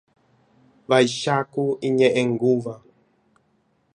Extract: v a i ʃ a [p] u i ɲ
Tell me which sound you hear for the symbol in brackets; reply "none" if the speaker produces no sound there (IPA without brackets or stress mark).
k